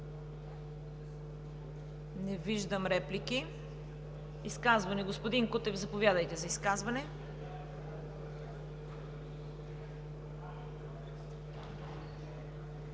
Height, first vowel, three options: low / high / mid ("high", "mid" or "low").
mid